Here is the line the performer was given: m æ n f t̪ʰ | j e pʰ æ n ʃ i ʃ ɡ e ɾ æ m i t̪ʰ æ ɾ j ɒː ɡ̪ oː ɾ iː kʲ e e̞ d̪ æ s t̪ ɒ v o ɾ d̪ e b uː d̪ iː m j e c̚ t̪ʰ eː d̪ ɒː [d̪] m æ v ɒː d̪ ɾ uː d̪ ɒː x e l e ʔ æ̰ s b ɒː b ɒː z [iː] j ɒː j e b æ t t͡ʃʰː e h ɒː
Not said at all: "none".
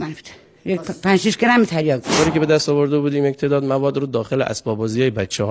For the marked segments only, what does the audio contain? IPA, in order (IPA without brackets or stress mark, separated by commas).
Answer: d̪, i